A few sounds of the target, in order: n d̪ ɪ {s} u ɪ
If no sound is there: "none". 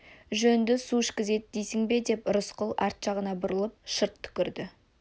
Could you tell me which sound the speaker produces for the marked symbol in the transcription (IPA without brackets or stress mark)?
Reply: s